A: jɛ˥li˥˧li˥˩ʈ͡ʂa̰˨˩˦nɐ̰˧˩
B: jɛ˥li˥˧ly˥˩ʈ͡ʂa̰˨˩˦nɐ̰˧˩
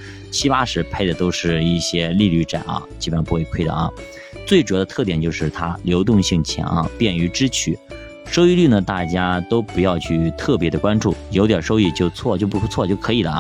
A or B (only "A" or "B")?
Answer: B